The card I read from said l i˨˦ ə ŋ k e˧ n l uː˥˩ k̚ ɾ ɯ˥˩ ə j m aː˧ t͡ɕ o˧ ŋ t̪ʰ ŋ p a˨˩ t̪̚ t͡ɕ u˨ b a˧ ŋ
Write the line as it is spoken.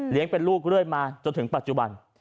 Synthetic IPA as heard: l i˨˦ ə ŋ p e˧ n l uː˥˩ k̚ ɾ ɯ˥˩ ə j m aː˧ t͡ɕ o˧ n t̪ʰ ŋ p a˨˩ t̪̚ t͡ɕ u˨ b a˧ n